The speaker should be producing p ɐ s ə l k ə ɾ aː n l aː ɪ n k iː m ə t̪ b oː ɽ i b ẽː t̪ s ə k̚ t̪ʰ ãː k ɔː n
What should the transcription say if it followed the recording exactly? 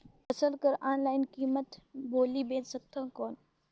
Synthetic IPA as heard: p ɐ s ə l k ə ɾ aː n l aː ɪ n k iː m ə t̪ b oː l i b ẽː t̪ s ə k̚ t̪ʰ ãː k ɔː n